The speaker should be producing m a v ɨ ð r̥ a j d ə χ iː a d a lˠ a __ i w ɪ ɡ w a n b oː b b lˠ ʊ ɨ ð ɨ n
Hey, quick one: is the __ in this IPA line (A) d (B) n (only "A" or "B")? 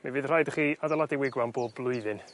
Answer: A